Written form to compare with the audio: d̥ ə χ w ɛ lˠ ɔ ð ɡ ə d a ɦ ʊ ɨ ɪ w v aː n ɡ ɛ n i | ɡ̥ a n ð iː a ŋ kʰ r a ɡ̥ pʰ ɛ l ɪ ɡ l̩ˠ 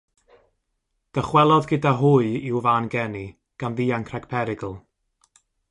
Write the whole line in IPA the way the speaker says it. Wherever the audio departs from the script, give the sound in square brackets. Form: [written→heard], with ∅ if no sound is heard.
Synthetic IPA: d̥ ə χ w ɛ lˠ ɔ ð ɡ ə d a ɦ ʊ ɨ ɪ w v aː n ɡ ɛ n i | ɡ̥ a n ð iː a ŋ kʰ r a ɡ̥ pʰ ɛ [l→ɾ] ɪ ɡ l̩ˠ